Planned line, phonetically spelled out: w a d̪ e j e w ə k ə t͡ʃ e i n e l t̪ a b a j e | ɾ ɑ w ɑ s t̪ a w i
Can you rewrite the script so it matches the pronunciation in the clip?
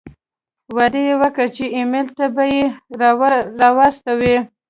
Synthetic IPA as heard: w a d̪ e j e w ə k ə t͡ʃ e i m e l t̪ a b a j e | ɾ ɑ w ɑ s t̪ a w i